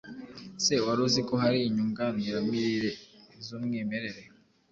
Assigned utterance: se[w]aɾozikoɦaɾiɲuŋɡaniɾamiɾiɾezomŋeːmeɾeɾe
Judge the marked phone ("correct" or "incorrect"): correct